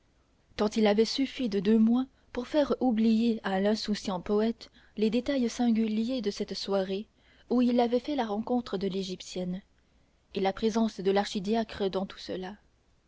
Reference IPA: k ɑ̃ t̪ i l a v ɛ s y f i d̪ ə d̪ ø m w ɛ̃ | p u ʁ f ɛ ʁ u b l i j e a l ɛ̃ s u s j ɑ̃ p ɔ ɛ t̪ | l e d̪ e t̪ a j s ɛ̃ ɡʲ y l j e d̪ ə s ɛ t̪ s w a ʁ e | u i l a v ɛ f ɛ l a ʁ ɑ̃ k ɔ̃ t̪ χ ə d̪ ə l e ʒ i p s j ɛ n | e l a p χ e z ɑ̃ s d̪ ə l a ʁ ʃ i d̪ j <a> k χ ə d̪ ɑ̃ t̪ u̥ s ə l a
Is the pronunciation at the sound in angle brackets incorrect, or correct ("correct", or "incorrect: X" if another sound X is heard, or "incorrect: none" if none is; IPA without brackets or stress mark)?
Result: correct